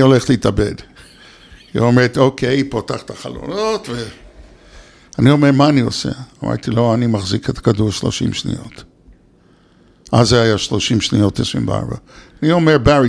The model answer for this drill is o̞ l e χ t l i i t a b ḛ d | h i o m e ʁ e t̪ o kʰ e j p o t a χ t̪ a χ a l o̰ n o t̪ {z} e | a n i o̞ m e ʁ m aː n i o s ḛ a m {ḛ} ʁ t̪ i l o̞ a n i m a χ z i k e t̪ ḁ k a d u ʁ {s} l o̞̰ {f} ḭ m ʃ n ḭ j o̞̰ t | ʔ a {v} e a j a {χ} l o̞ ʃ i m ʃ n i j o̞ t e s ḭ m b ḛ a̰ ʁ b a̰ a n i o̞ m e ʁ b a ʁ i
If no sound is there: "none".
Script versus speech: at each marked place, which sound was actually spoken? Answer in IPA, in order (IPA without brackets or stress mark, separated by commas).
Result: v, a̰, ʃ, ʃ, z, ʃ